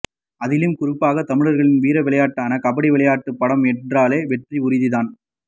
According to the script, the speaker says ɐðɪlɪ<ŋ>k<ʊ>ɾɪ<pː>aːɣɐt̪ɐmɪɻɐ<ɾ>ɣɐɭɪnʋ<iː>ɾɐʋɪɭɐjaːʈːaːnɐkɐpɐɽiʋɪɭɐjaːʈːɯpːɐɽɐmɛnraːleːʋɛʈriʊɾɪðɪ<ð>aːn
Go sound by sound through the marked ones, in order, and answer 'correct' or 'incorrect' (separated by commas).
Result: incorrect, correct, correct, correct, correct, correct